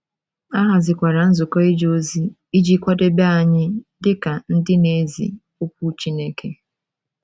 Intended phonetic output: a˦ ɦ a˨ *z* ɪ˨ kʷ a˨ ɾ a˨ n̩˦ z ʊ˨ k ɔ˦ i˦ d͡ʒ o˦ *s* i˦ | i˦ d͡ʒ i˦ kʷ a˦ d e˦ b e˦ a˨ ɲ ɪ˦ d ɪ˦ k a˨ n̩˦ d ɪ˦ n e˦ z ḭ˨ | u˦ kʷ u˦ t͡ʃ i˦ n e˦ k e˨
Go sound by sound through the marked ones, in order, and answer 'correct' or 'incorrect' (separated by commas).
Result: correct, incorrect